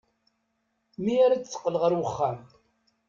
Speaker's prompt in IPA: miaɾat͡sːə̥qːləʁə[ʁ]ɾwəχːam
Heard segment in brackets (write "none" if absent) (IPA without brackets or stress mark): none